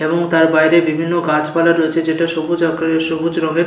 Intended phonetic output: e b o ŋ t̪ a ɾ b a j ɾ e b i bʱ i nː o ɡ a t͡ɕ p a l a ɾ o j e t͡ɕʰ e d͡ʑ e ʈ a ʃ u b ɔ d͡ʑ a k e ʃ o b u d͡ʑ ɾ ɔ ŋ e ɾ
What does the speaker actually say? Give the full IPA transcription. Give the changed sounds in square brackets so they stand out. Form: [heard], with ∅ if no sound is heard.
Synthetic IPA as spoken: e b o ŋ t̪ a ɾ b a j ɾ e b i bʱ i nː o ɡ a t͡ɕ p a l a ɾ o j e t͡ɕʰ e d͡ʑ e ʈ a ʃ [o] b [u] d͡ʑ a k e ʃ o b u d͡ʑ ɾ ɔ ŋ e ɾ